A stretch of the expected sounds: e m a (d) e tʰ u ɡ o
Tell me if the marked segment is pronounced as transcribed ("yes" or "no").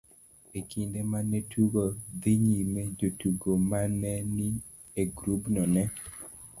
no